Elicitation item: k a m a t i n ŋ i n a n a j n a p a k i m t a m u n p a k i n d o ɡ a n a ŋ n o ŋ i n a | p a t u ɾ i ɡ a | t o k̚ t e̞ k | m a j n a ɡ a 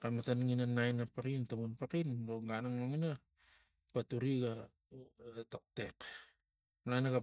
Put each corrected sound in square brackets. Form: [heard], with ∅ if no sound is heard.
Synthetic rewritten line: k a m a t [a] n ŋ i n a n a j n a p a k i [n] t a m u n p a k i n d o ɡ a n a ŋ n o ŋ i n a | p a t u ɾ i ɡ a | t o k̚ t e̞ k | [n] a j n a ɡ a